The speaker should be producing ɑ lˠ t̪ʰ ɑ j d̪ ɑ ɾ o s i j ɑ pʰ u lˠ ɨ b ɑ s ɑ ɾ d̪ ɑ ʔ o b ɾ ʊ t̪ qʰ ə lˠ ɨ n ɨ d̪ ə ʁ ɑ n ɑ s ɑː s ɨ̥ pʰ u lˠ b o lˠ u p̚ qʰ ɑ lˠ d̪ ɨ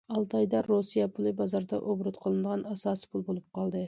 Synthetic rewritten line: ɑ lˠ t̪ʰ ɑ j d̪ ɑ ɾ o s i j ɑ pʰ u lˠ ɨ b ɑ z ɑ ɾ d̪ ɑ ʔ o b ɾ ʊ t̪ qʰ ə lˠ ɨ n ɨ d̪ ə ʁ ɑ n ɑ s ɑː s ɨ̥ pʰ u lˠ b o lˠ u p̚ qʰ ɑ lˠ d̪ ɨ